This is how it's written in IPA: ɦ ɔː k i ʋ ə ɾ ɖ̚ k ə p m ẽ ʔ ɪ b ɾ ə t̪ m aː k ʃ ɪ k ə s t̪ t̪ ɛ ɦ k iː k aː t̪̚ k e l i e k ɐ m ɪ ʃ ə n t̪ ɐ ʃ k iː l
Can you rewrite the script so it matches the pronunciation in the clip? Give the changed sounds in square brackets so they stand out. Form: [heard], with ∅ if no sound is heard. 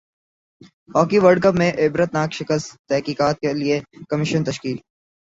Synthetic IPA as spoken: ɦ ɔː k i ʋ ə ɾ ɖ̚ k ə p m ẽ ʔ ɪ b ɾ ə t̪ [n] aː k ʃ ɪ k ə s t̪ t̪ ɛ ɦ k iː k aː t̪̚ k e l i e k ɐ m ɪ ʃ ə n t̪ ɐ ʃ k iː l